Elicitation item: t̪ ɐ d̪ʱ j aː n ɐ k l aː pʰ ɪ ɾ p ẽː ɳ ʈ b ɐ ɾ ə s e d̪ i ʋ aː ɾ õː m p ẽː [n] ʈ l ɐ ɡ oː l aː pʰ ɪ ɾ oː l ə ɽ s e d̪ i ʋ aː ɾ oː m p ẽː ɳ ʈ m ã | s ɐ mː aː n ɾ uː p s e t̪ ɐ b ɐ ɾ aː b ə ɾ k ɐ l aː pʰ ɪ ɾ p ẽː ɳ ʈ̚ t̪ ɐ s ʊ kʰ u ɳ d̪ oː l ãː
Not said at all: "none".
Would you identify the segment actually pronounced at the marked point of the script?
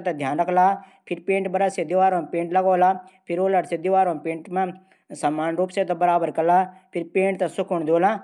ɳ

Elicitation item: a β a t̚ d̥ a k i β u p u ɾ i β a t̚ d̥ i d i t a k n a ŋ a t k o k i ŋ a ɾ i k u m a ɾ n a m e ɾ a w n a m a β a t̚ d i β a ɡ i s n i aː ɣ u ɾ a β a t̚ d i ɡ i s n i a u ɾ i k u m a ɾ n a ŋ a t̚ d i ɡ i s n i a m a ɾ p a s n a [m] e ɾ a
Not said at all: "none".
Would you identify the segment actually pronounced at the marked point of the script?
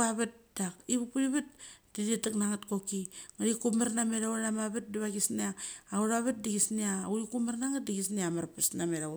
m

